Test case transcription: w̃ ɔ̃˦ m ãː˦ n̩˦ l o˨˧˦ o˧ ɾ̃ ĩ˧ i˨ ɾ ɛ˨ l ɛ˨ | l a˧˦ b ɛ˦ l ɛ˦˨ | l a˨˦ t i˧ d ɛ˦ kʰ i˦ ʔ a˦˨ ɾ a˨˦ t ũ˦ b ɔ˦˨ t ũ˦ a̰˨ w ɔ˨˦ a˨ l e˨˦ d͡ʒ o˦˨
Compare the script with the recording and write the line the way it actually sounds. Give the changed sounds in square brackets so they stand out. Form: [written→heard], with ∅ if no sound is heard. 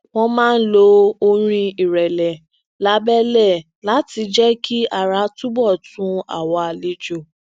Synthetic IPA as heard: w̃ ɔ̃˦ m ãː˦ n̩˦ l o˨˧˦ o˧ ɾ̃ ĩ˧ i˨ ɾ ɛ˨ l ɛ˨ | l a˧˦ b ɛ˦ l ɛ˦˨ | l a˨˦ t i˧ [d→d͡ʒ] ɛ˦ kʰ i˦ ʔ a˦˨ ɾ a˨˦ t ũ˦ b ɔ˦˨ t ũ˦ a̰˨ w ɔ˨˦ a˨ l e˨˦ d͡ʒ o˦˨